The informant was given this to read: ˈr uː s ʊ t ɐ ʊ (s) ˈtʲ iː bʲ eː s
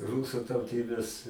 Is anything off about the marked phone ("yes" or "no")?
yes